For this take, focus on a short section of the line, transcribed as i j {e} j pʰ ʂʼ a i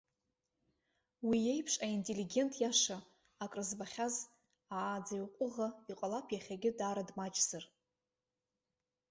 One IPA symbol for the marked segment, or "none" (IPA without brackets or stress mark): e